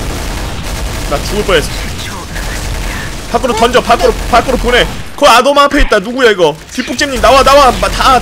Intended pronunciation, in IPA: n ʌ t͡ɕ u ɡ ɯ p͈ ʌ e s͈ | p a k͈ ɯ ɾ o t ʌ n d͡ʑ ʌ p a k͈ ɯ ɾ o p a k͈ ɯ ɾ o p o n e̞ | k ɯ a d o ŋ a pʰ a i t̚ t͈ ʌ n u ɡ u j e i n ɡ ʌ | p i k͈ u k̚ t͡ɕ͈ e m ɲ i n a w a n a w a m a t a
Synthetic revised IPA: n a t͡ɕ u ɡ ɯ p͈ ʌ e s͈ | p a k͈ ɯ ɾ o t ʌ n d͡ʑ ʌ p a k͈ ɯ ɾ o p a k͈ ɯ ɾ o p o n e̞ | k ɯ a d o m a pʰ e i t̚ t͈ a n u ɡ u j e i ɡ ʌ | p i p͈ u k̚ t͡ɕ͈ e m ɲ i n a w a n a w a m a t a